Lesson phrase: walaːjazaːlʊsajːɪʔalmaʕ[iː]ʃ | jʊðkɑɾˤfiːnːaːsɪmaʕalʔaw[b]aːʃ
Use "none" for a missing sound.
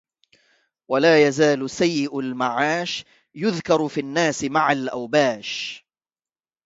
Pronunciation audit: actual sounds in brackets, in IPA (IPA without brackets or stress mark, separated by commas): aː, b